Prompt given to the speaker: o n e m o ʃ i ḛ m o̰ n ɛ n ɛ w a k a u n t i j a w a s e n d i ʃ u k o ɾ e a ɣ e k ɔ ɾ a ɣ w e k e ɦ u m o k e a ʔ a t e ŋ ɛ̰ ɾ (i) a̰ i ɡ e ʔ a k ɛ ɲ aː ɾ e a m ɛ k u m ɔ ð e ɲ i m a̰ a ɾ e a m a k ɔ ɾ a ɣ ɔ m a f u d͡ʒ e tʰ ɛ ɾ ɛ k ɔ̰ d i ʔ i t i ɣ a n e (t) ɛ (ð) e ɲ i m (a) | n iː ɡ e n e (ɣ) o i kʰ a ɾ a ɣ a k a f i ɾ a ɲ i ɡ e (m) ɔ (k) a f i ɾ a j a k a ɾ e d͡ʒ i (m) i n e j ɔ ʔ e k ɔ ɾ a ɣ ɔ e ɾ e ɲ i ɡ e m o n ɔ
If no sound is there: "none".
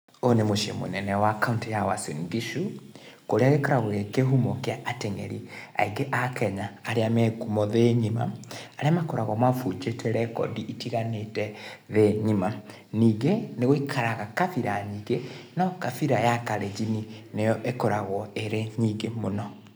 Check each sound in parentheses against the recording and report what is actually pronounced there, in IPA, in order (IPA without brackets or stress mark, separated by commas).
i, t, ð, a, ɣ, n, k, n